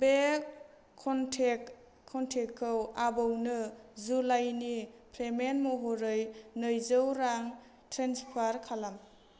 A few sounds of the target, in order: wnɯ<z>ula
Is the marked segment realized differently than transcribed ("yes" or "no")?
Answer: no